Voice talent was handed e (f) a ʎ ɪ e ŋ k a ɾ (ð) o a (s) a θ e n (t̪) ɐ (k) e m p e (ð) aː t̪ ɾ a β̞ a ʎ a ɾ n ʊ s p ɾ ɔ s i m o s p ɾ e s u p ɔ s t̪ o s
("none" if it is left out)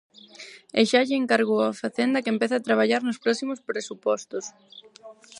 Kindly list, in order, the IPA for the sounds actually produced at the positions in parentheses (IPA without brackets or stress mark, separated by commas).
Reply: ʃ, ɣ, f, d̪, k, θ